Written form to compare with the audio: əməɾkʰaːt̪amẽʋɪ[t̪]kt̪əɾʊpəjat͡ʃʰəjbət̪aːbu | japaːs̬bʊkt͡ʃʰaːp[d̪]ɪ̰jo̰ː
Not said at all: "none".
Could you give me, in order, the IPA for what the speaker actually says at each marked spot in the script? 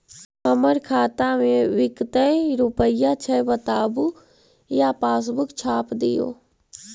none, d̪

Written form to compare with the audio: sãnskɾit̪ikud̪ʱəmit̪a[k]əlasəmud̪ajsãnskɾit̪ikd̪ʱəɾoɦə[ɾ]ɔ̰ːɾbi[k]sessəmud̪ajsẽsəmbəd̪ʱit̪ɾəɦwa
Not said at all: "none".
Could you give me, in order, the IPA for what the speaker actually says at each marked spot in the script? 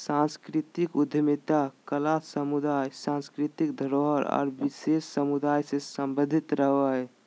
k, ɾ, none

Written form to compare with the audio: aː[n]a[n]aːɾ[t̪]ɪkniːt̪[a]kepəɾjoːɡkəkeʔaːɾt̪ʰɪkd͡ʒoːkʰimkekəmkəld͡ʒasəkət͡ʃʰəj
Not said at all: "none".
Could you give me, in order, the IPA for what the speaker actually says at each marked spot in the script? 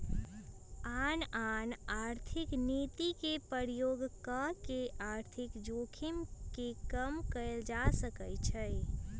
n, n, t̪ʰ, i

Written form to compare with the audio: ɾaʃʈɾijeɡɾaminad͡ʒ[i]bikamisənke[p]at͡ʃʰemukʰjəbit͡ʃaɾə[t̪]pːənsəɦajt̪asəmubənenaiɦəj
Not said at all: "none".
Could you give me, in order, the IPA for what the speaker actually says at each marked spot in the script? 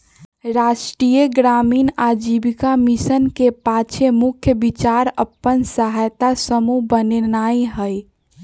i, p, none

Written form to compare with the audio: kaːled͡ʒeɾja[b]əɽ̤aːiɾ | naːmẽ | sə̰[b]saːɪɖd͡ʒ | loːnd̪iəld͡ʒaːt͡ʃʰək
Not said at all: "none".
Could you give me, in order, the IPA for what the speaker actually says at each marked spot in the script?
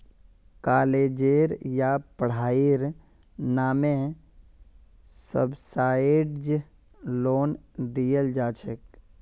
p, b

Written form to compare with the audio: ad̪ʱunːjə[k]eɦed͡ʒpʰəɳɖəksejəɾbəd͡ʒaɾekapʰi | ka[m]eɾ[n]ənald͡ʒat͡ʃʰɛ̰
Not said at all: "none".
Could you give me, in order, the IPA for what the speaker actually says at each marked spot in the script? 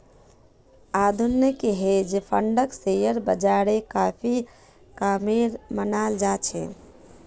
k, m, m

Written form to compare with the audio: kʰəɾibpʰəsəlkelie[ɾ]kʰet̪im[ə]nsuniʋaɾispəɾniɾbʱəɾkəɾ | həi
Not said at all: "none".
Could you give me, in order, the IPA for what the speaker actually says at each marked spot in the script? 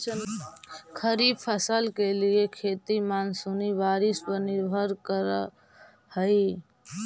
none, a

